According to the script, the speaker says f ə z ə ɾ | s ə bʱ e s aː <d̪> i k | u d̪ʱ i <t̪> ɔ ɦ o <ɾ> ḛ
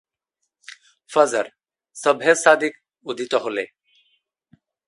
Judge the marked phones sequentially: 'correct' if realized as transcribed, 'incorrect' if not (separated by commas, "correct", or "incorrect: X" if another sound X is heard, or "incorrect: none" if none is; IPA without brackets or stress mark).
correct, correct, incorrect: l